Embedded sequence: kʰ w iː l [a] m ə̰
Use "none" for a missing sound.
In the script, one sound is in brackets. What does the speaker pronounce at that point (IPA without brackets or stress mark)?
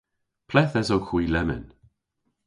ɛ